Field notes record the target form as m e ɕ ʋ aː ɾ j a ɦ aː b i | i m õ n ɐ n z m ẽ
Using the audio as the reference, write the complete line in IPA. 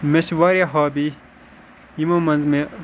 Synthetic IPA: m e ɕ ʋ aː ɾ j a ɦ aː b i | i m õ m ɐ n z m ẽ